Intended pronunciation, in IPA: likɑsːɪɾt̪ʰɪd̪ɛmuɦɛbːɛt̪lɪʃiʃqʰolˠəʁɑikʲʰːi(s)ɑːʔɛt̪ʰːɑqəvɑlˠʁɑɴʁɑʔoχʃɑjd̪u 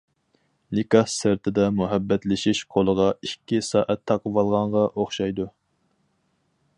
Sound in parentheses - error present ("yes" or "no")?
no